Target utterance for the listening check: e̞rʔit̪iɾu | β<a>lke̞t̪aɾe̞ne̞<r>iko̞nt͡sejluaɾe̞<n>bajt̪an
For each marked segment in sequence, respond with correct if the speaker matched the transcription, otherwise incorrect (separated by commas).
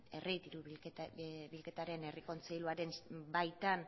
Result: incorrect, correct, correct